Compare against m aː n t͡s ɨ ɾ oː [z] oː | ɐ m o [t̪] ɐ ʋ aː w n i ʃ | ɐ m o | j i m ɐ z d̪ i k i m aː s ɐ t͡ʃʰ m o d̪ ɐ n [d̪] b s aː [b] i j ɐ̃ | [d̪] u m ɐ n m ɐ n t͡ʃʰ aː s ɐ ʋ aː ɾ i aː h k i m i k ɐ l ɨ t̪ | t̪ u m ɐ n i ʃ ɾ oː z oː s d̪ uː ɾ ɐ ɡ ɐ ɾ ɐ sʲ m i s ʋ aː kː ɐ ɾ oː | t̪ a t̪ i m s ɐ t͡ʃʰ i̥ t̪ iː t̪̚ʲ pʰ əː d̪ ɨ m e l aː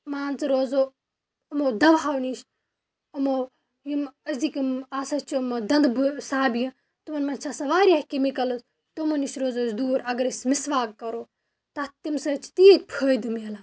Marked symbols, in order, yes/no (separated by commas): yes, no, yes, yes, no